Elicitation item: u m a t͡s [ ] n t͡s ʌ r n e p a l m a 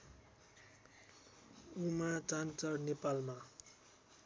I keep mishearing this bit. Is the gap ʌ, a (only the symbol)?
a